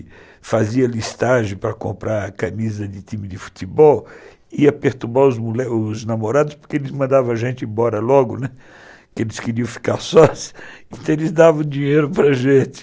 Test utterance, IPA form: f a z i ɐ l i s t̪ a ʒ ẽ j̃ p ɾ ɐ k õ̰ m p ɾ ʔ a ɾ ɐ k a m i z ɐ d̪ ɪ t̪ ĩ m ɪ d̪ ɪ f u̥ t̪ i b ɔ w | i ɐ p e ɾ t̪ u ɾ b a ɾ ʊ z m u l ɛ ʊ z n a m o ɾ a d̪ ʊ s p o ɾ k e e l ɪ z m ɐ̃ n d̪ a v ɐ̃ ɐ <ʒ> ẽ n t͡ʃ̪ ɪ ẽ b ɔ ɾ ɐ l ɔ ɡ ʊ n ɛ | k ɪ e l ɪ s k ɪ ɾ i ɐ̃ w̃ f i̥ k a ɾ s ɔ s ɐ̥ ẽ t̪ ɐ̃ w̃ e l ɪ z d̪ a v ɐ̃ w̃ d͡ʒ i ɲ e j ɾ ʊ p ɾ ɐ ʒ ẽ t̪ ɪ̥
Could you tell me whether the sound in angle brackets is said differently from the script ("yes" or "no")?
no